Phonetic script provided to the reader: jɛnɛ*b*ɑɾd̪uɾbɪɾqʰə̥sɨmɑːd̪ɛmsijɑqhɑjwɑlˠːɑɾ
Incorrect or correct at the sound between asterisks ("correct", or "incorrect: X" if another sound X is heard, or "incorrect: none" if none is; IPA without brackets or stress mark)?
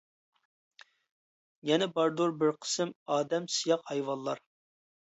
correct